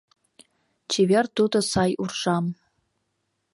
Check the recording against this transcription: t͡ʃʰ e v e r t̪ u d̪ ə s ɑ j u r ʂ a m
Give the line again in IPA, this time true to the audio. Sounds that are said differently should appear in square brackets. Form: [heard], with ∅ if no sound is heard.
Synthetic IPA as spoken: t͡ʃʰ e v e r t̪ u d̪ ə s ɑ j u r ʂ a m